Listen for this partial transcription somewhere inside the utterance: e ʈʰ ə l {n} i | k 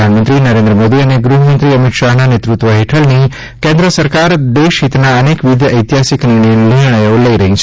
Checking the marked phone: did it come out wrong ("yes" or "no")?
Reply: no